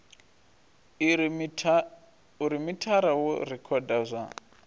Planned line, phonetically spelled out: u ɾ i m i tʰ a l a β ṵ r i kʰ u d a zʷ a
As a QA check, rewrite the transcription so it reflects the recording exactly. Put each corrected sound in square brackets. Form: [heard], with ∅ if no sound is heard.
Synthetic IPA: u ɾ i m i tʰ a [ɾ] a [w] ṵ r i kʰ [ɔ] d a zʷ a